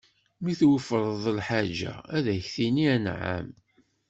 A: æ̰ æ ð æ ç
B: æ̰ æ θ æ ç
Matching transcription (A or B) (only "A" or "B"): A